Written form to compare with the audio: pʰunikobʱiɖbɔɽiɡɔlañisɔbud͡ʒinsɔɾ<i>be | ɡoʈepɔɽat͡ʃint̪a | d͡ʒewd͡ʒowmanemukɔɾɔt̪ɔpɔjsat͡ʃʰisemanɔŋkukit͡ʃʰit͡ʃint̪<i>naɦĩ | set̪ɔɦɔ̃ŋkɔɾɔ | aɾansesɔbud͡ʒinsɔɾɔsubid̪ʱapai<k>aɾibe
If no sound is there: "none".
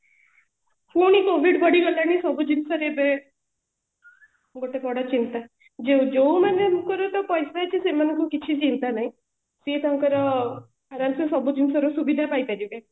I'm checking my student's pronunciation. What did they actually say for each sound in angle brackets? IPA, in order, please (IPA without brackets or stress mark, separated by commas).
e, a, p